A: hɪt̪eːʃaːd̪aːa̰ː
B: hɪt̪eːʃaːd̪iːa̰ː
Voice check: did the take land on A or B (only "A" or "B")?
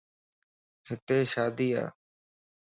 B